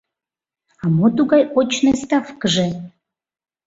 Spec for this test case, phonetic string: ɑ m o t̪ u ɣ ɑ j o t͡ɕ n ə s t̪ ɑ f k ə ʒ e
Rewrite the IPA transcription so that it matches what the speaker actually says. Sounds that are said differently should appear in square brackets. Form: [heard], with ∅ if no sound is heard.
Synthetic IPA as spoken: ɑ m o t̪ u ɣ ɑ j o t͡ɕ n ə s t̪ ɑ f k ə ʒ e